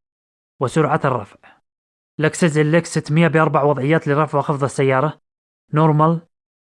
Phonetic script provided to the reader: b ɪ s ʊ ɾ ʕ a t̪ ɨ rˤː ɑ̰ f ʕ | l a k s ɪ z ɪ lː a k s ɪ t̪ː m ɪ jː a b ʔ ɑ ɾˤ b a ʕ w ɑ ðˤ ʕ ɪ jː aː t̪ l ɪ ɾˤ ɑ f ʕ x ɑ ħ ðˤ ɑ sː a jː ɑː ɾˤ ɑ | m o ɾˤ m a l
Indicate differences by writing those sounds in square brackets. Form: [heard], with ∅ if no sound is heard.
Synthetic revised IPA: [w] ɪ s ʊ ɾ ʕ a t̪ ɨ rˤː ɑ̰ f ʕ | l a k s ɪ z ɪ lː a k s ɪ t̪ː m ɪ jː a b ʔ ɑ ɾˤ b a ʕ w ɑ ðˤ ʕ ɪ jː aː t̪ l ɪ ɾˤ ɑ f ʕ x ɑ [f] ðˤ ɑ sː a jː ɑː ɾˤ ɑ | [n] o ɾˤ m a l